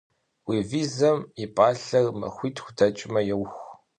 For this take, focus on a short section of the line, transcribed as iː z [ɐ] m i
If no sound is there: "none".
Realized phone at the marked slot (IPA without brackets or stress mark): ɐ